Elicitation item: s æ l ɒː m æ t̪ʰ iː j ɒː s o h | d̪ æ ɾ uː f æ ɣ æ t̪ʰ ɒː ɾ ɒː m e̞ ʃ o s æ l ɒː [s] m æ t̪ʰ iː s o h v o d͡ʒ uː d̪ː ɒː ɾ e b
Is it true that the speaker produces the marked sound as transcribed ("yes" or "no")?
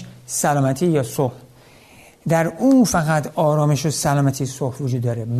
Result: no